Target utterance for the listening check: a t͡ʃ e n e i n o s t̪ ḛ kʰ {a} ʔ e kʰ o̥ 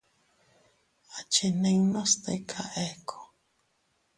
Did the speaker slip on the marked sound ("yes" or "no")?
no